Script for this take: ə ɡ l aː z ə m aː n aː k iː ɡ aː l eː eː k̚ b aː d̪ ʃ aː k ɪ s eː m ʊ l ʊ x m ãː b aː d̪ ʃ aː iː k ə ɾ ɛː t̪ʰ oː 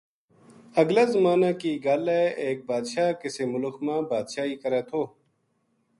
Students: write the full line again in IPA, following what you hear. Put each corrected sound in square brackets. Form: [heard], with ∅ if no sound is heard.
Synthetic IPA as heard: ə ɡ l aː z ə m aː n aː k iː ɡ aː l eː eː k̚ b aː d̪ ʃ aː k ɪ s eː m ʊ l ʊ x m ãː b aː d̪ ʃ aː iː k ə ɾ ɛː t̪ʰ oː